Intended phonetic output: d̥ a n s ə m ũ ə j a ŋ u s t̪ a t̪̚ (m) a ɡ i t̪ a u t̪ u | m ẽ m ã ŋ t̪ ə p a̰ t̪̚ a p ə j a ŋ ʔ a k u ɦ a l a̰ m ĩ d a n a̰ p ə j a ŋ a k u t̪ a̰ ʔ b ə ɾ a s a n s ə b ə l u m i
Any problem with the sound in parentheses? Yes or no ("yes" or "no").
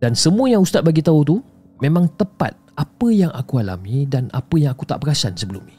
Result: yes